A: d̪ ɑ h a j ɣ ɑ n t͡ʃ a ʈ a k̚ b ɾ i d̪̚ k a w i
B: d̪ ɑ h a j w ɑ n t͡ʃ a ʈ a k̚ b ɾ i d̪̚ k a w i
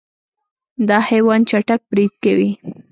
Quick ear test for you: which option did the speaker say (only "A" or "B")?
B